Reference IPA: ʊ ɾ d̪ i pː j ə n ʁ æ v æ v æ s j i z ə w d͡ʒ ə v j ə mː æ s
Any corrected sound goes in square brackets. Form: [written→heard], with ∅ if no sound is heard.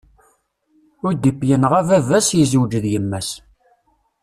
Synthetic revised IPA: ʊ ɾ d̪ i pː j ə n ʁ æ v æ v æ s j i z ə w d͡ʒ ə [v→ð] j ə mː æ s